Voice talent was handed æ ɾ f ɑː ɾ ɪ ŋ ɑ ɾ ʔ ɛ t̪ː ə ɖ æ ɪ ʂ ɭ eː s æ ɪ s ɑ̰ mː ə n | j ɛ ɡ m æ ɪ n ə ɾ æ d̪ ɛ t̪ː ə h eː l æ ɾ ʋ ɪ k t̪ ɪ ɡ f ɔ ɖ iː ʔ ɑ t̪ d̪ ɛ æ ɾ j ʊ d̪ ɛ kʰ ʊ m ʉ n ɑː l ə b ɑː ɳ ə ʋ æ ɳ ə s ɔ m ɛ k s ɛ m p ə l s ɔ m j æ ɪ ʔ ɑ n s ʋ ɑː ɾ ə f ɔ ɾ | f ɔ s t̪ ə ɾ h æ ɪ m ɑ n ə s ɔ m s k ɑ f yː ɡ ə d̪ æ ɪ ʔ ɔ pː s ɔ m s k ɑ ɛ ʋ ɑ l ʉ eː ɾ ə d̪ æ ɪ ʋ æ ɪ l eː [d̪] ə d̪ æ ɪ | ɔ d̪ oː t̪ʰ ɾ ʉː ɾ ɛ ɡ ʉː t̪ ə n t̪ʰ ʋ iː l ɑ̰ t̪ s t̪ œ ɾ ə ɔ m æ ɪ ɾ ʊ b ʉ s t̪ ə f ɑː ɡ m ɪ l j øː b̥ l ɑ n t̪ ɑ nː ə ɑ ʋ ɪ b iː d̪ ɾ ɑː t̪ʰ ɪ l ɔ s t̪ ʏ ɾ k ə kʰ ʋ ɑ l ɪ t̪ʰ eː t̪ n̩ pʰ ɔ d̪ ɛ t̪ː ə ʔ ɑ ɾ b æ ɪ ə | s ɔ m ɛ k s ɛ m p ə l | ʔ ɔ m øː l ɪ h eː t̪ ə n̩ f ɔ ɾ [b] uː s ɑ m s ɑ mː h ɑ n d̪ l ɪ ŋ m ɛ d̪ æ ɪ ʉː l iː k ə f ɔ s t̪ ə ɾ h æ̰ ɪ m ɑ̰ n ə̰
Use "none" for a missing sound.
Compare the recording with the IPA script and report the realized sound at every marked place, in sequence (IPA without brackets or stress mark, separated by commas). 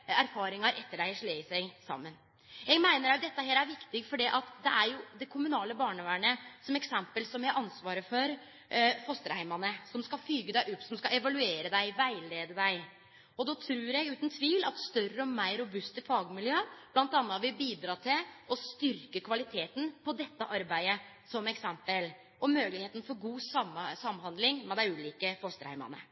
d̪, ɡ